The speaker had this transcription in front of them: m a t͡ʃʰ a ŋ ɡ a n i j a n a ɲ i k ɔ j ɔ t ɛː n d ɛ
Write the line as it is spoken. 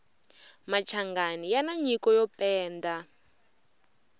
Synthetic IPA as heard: m a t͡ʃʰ a ŋ ɡ a n i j a n a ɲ i k ɔ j ɔ p ɛː n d a